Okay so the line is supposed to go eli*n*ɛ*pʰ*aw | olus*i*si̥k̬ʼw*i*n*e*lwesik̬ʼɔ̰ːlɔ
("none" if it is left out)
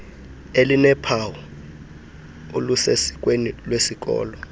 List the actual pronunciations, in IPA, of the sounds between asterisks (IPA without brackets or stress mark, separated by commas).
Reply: n, pʰ, e, e, i